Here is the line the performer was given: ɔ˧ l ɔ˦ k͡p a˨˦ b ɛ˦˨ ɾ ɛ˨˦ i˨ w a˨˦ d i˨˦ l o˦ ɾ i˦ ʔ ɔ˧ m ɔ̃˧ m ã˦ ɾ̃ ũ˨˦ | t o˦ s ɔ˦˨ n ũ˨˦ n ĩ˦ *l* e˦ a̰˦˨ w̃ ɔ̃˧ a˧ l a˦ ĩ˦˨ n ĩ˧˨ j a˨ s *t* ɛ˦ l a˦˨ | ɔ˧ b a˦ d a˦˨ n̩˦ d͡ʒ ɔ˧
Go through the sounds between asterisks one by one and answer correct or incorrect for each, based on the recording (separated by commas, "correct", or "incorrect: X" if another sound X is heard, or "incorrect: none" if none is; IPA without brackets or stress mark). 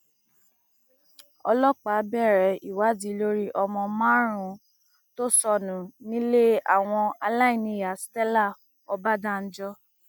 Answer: correct, correct